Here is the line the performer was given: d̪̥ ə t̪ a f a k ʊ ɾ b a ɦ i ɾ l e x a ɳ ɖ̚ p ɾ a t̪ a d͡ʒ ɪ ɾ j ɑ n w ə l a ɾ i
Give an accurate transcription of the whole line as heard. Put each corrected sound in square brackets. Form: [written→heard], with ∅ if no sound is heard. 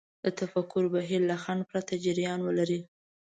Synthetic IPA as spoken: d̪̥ ə t̪ a f a k ʊ ɾ b a ɦ i ɾ l [e→a] x a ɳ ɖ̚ p ɾ a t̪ a d͡ʒ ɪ ɾ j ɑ n w ə l a ɾ i

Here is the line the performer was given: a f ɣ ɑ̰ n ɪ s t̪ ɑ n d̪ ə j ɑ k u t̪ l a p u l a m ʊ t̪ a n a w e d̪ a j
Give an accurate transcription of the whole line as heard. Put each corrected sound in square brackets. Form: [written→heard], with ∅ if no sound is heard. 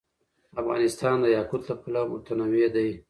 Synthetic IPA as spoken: a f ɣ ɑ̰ n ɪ s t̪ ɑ n d̪ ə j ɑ k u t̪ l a p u l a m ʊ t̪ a n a w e d̪ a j

